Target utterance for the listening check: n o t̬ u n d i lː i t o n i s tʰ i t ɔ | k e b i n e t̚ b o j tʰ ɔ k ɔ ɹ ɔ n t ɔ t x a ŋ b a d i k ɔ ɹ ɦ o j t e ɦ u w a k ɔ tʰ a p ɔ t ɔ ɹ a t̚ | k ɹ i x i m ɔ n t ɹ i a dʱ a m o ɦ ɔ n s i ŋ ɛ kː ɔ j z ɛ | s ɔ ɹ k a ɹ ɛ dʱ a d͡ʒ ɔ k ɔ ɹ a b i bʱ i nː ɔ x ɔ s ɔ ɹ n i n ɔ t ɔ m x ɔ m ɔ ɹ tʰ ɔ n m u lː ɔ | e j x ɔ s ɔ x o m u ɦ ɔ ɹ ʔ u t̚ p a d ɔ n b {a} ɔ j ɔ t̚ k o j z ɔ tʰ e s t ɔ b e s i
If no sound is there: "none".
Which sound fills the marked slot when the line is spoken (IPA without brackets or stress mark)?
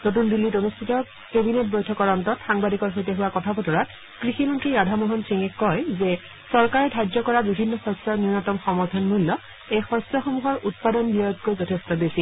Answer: i